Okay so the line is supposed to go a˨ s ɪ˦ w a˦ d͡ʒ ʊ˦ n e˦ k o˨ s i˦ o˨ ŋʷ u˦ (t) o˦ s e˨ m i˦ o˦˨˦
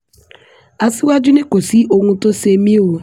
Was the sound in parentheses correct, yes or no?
yes